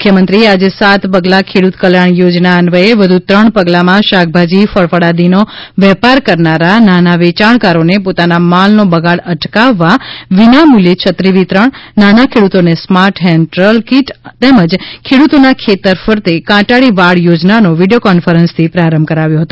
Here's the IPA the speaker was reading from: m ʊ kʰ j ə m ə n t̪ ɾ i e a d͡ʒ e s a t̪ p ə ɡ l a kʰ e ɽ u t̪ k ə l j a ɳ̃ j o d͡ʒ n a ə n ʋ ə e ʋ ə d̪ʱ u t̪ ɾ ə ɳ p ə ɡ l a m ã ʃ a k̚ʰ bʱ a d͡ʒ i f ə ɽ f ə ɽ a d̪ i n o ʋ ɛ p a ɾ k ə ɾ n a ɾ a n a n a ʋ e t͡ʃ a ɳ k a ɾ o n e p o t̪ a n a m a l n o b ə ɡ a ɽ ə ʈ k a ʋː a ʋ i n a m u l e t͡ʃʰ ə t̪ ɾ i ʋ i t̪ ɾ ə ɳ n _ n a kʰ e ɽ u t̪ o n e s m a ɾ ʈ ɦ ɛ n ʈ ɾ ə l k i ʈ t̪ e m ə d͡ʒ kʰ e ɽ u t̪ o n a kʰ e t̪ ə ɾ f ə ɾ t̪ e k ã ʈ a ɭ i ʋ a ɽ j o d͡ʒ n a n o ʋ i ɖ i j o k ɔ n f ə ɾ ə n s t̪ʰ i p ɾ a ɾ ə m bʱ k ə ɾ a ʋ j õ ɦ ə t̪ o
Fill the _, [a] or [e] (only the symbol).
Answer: a